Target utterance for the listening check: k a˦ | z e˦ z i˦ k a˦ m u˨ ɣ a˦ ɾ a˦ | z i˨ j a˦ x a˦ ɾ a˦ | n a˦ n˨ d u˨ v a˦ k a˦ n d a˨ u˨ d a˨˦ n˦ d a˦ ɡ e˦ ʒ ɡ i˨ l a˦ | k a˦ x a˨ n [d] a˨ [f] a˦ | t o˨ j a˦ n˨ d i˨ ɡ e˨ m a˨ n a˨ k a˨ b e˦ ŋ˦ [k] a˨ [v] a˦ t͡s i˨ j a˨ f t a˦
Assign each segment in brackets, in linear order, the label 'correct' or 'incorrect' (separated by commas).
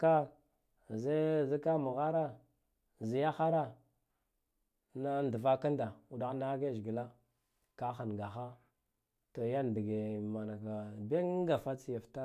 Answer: incorrect, incorrect, incorrect, incorrect